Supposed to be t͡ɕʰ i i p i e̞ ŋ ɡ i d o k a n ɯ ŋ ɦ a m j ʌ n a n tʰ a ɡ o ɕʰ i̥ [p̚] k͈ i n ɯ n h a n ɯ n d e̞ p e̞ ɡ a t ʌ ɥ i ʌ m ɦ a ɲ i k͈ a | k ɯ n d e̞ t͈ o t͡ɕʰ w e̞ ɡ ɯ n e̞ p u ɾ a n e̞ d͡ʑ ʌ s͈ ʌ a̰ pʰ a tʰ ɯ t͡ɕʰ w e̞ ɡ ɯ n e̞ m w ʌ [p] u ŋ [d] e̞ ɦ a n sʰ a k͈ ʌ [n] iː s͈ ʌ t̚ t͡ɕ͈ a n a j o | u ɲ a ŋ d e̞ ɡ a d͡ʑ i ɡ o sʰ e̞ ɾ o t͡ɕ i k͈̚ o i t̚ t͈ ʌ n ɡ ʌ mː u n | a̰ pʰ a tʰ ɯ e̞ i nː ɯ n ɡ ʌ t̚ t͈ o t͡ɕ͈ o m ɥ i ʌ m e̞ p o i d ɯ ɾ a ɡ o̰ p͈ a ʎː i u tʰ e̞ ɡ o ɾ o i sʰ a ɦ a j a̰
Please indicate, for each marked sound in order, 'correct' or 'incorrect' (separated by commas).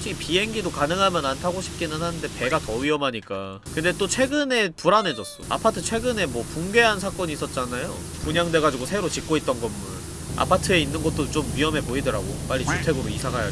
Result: correct, correct, incorrect, incorrect